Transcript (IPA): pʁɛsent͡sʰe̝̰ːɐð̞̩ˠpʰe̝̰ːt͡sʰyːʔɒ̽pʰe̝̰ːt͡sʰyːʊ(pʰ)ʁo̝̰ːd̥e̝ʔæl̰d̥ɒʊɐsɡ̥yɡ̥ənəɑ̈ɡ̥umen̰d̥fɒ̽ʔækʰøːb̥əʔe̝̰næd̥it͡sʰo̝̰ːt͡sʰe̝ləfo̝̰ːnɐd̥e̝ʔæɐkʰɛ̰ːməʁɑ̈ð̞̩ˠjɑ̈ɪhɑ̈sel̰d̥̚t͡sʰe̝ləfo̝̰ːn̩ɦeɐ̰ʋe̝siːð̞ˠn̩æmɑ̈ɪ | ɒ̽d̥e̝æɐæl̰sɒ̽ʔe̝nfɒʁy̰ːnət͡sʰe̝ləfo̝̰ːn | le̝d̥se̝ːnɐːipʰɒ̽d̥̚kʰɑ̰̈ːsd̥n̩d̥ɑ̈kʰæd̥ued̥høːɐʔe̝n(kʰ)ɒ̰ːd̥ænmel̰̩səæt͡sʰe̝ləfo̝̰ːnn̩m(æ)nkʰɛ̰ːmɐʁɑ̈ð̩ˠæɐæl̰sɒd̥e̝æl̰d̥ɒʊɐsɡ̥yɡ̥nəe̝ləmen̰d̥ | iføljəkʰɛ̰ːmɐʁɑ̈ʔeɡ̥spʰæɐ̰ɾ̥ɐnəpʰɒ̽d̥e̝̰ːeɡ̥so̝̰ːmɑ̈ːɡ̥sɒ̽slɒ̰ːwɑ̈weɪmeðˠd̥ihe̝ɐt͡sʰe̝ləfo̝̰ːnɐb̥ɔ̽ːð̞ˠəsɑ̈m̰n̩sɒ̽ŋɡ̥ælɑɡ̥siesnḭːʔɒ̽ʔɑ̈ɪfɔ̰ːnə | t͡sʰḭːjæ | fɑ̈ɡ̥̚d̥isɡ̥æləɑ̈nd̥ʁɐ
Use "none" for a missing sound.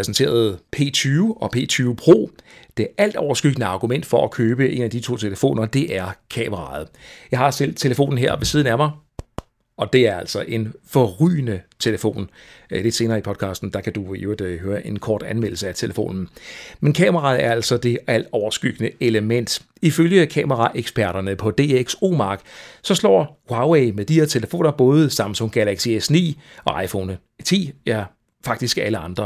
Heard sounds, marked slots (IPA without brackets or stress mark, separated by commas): pʰ, kʰ, e